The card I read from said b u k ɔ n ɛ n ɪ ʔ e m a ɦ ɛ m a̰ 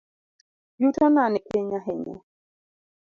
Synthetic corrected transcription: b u t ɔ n a n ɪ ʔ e ɲ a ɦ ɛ ɲ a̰